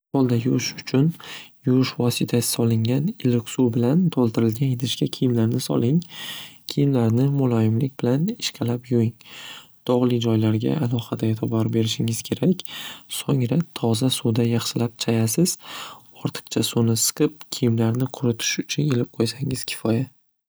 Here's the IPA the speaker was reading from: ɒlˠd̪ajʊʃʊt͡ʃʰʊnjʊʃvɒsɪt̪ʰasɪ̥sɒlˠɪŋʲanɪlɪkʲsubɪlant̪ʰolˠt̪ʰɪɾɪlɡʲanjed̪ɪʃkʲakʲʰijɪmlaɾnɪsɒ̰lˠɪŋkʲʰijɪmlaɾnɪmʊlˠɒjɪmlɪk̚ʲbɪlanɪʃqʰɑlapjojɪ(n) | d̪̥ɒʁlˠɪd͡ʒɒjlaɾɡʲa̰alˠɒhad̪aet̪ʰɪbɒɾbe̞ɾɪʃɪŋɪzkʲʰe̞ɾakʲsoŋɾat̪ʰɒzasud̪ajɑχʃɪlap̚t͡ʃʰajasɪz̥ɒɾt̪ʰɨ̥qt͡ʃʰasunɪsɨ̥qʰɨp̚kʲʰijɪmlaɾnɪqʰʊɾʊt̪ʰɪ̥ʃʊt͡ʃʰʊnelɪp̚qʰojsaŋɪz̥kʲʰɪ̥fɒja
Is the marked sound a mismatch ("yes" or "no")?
yes